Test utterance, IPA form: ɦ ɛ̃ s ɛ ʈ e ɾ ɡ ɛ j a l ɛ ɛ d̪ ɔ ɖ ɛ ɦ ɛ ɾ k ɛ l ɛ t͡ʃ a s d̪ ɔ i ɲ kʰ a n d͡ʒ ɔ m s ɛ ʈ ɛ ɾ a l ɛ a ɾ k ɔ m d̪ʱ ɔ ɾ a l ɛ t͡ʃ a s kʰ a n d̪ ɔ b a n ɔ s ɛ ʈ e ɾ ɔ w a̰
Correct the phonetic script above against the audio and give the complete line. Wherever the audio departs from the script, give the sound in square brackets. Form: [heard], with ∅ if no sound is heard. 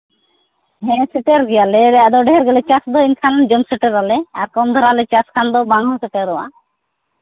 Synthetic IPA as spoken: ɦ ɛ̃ s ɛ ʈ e ɾ ɡ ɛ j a l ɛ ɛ d̪ ɔ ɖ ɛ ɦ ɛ ɾ [ɡ] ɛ l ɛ t͡ʃ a s d̪ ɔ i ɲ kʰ a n d͡ʒ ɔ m s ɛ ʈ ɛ ɾ a l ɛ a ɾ k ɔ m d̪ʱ ɔ ɾ a l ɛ t͡ʃ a s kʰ a n d̪ ɔ b a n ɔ s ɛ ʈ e ɾ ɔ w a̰

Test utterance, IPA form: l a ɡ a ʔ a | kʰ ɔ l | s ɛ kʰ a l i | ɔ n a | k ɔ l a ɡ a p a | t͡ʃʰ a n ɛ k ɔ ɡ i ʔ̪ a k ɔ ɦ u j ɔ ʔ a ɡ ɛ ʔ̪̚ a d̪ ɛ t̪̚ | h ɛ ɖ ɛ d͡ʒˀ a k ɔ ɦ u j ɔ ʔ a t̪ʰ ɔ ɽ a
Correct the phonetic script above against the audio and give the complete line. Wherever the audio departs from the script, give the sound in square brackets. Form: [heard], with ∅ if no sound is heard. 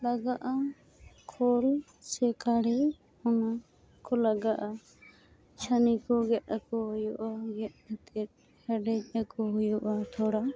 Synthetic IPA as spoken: l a ɡ a ʔ a | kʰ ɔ l | s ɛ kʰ a [ɽ] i | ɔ n a | k ɔ l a ɡ a [ʔ] a | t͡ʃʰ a n [i] k ɔ ɡ [ɛ] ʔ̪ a k ɔ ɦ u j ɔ ʔ a ɡ ɛ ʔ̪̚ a [t̪] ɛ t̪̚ | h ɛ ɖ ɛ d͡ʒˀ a k ɔ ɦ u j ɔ ʔ a t̪ʰ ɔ ɽ a

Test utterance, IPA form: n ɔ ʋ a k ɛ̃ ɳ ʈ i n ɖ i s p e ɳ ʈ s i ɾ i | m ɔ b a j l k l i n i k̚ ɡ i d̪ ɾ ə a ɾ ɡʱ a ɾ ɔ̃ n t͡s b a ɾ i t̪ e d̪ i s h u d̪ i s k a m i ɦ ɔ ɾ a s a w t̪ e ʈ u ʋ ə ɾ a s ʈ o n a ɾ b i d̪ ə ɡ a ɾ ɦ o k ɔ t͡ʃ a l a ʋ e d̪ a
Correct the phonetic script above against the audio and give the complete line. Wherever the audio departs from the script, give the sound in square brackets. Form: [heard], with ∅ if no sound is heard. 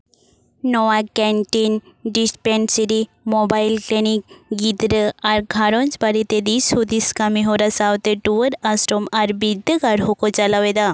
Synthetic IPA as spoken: n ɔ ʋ a k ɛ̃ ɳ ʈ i n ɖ i s p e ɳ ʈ s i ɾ i | m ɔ b a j l k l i n i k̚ ɡ i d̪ ɾ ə a ɾ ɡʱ a ɾ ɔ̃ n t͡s b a ɾ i t̪ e d̪ i s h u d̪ i s k a m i ɦ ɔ ɾ a s a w t̪ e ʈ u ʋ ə ɾ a s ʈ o [m] a ɾ b i d̪ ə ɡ a ɾ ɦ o k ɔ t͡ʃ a l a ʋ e d̪ a

